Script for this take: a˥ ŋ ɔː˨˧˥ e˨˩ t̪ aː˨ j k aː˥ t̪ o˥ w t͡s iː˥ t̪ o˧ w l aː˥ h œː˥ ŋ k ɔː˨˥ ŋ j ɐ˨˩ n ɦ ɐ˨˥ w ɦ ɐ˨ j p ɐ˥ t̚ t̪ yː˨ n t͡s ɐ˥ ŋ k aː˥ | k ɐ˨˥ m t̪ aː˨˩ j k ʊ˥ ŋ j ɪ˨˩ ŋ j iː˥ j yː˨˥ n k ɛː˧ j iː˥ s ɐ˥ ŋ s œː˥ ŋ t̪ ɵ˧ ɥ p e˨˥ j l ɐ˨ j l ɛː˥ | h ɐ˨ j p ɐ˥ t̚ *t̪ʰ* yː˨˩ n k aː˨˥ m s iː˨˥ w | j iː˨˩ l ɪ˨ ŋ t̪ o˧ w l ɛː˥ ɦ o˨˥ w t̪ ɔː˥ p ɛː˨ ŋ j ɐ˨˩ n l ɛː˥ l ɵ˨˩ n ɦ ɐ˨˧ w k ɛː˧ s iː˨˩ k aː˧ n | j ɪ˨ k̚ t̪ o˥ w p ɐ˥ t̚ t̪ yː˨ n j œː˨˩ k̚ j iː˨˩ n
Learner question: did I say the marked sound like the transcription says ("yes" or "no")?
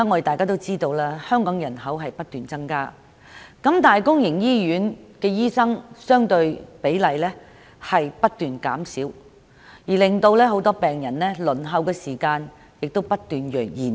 no